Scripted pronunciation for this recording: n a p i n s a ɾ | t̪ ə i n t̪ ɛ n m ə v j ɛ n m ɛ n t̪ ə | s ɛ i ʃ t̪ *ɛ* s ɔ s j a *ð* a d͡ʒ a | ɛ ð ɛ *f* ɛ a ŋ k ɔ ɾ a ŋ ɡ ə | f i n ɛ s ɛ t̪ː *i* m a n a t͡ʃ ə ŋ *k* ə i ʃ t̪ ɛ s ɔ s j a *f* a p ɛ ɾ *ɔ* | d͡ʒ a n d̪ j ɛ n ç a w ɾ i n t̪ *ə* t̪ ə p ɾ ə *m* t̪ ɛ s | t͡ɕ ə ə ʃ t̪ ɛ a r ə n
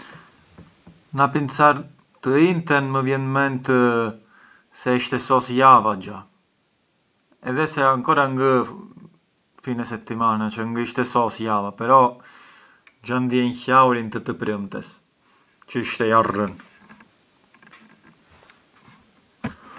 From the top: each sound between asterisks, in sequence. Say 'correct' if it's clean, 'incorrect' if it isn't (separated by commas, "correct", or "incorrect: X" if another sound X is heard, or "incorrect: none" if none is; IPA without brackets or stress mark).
correct, incorrect: v, incorrect: s, correct, incorrect: ɡ, incorrect: v, correct, correct, correct